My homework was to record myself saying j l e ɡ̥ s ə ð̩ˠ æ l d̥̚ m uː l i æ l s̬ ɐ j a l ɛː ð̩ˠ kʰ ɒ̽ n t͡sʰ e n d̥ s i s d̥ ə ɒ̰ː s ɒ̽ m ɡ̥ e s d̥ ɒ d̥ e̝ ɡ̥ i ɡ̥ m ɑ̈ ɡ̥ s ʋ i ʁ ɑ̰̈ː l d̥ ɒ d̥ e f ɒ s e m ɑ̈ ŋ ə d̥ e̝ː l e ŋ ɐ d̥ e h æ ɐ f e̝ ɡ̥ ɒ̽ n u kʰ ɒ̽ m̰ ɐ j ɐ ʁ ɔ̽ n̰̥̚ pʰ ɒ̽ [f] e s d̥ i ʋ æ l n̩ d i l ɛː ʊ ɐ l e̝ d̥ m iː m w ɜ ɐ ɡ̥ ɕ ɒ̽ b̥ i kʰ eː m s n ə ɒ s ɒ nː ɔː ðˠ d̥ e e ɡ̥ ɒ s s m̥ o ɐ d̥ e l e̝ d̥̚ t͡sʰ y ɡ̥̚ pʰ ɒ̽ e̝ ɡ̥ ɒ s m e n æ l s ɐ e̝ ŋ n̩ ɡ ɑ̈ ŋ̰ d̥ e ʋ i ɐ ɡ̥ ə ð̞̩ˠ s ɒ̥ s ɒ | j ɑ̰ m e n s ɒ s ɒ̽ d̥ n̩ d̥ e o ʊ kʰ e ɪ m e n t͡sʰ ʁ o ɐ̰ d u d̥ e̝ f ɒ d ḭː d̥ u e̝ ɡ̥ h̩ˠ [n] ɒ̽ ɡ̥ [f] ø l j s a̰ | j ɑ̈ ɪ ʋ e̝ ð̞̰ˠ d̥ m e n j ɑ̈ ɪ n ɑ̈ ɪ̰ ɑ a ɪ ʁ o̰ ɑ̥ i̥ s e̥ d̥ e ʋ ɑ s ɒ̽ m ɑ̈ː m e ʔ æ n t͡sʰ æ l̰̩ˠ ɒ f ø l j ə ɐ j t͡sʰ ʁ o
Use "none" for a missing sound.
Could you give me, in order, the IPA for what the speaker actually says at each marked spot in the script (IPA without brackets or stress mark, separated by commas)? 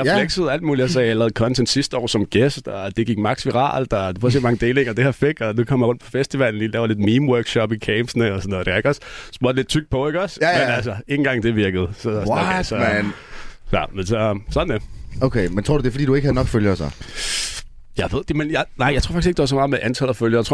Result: f, n, f